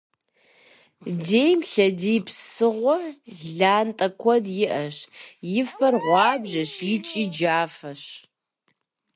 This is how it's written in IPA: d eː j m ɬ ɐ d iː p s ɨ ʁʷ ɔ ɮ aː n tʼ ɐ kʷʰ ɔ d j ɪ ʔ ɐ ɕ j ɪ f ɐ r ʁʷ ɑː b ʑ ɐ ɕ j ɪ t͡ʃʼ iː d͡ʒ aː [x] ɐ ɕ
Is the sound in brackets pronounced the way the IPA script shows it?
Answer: no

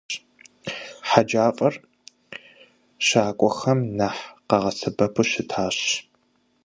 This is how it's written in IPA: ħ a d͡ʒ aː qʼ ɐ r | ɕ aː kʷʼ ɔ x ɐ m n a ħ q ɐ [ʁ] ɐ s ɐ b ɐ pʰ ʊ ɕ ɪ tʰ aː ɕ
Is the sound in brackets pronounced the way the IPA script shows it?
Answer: yes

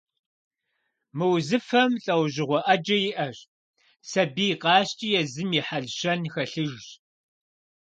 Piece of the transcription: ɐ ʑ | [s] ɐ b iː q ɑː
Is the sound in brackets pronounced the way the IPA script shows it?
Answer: yes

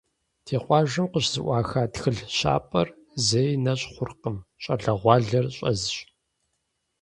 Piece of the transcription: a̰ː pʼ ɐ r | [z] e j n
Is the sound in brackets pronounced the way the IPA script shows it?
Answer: yes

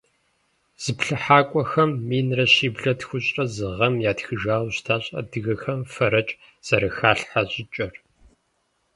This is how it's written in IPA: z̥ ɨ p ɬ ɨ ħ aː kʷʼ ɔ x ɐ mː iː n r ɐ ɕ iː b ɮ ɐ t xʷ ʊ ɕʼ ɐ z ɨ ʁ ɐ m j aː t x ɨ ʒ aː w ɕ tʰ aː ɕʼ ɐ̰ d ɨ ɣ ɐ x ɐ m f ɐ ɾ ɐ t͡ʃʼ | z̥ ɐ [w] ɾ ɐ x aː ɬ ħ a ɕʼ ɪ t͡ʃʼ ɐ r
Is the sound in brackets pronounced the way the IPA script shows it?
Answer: no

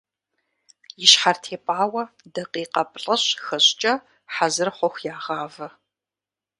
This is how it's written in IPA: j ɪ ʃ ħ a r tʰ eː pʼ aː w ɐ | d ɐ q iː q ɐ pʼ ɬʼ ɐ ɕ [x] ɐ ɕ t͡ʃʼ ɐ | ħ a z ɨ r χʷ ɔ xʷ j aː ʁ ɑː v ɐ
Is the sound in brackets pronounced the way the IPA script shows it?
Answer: yes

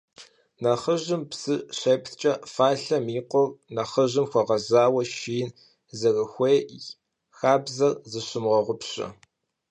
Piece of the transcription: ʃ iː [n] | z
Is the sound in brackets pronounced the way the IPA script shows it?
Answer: yes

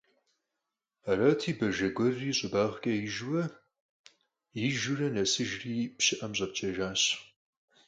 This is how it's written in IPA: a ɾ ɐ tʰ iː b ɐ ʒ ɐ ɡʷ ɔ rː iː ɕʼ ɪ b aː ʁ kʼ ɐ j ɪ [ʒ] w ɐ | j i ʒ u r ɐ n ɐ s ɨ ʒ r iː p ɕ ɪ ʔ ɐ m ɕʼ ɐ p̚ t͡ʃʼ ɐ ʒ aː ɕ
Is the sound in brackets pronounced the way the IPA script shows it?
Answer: yes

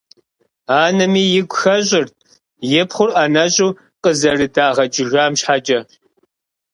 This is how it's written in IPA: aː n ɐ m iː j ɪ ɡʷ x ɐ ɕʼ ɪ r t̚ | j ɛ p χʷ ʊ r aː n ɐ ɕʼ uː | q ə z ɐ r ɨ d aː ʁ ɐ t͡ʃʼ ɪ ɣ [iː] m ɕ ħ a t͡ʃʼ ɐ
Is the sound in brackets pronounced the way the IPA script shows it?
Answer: no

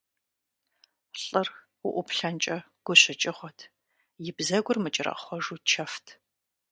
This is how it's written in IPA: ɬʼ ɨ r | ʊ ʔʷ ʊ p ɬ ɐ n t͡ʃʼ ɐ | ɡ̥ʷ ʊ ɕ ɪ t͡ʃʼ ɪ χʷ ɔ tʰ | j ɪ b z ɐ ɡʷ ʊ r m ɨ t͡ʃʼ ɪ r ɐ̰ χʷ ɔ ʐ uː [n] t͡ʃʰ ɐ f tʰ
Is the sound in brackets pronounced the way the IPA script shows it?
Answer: no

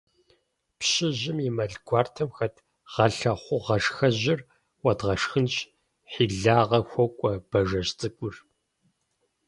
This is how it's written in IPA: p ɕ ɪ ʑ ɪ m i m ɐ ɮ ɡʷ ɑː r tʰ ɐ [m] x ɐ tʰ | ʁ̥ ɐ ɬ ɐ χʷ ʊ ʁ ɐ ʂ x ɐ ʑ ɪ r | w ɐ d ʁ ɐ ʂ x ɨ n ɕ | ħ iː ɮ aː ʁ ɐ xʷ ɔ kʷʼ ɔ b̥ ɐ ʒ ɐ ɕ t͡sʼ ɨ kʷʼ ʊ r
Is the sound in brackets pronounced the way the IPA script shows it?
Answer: yes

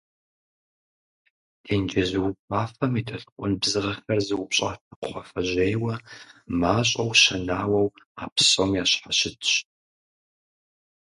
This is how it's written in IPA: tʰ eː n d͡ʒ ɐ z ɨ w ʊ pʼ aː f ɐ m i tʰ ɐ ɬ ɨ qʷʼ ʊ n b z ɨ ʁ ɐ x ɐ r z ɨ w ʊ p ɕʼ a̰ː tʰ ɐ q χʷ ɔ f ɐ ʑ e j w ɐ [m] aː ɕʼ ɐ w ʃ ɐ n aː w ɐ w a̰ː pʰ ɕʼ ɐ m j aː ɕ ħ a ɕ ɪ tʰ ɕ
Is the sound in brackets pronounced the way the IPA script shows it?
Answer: yes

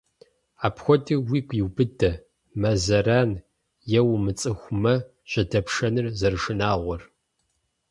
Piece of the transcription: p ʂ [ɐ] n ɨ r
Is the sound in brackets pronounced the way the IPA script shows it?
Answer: yes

